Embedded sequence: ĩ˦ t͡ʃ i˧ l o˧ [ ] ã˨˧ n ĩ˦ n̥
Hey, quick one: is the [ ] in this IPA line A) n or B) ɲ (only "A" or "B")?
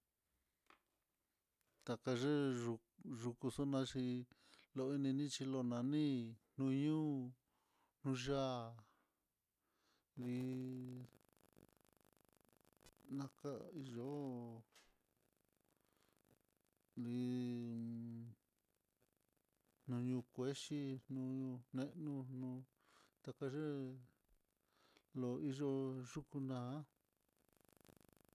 A